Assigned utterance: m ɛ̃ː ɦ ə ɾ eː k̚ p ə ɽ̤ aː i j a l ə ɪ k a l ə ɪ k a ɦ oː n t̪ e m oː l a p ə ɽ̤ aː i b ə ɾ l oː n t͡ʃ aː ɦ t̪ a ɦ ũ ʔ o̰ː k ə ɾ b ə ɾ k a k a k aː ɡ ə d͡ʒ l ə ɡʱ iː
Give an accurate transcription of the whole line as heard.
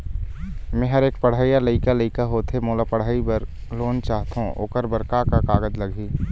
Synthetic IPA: m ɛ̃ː ɦ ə ɾ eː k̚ p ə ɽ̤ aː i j a l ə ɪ k a l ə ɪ k a ɦ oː t̪ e m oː l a p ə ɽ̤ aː i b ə ɾ l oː n t͡ʃ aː ɦ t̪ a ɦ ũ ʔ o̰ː k ə ɾ b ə ɾ k a k a k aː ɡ ə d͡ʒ l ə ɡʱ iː